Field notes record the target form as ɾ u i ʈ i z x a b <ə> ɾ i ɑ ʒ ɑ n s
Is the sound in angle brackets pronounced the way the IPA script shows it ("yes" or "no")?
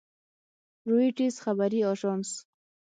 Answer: no